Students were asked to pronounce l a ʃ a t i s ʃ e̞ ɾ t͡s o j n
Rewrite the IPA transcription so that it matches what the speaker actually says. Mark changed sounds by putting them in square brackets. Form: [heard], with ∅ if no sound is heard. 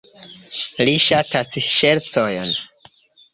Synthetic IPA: l [i] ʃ a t [a] s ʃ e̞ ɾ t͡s o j n